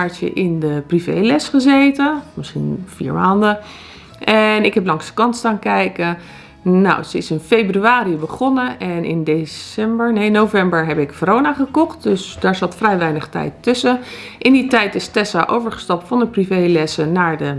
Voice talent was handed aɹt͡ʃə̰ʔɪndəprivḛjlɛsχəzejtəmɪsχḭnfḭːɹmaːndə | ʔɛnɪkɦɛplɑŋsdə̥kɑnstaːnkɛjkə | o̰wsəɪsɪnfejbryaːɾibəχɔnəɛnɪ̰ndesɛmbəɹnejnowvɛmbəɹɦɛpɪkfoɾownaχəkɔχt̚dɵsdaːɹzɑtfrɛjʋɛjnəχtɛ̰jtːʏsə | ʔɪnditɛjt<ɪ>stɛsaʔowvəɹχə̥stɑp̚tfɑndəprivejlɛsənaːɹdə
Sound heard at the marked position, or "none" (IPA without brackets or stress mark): ɪ